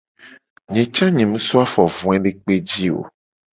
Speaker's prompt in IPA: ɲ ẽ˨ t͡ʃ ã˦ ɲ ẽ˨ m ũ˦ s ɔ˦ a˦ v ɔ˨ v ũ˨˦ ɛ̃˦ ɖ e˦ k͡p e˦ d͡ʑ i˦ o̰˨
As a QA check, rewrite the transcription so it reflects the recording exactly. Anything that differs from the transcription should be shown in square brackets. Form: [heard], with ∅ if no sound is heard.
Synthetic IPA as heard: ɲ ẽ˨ t͡ʃ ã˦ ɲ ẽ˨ m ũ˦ s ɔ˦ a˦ [f] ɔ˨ v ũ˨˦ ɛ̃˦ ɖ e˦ k͡p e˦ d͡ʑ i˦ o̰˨